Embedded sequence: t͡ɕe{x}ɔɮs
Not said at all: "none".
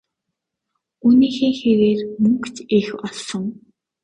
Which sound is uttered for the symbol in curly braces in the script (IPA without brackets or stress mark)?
x